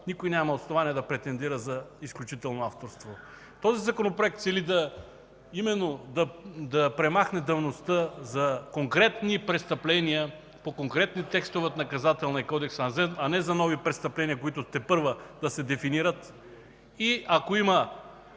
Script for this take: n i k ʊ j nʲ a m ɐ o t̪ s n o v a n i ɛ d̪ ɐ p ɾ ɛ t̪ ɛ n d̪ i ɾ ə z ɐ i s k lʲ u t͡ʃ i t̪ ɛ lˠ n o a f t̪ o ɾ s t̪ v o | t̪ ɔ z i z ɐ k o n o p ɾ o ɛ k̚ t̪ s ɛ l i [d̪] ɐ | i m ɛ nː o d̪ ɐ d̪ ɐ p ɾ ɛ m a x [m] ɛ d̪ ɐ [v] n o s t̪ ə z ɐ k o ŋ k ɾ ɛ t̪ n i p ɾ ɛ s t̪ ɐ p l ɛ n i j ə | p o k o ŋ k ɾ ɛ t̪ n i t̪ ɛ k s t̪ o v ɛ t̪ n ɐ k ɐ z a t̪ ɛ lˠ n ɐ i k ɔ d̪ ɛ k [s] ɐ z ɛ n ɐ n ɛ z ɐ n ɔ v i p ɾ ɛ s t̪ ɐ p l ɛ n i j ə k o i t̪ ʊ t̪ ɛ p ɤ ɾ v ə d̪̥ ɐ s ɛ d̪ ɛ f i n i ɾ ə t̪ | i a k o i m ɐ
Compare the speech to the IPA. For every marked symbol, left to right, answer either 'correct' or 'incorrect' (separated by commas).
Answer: correct, incorrect, correct, correct